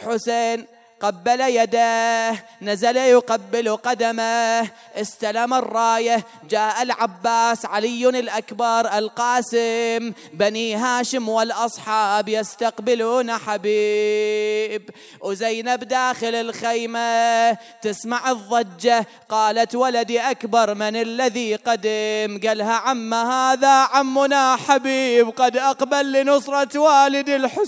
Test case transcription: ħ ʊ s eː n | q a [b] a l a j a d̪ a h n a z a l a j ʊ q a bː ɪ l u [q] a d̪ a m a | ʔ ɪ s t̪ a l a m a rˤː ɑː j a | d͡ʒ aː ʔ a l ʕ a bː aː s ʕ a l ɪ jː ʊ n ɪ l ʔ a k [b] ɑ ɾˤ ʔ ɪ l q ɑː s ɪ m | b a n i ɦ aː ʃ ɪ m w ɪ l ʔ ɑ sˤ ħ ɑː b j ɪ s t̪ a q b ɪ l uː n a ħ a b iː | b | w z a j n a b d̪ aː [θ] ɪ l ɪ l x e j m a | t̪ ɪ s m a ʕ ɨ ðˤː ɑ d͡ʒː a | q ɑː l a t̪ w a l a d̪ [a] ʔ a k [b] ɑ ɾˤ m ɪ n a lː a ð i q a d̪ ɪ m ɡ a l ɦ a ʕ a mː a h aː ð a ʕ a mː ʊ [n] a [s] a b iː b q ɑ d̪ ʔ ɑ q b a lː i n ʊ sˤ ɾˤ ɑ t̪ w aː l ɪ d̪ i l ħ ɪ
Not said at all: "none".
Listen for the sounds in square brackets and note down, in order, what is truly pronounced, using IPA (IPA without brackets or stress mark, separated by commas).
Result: bː, q, b, x, i, b, n, ħ